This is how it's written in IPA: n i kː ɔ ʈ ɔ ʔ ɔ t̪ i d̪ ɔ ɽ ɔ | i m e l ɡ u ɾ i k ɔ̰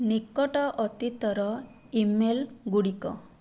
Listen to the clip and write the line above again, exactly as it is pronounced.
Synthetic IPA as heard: n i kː ɔ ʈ ɔ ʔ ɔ t̪ i t̪ ɔ ɾ ɔ | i m e l ɡ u ɽ i k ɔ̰